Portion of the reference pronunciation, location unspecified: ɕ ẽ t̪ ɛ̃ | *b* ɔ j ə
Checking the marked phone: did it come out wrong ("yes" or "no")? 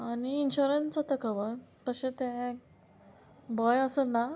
no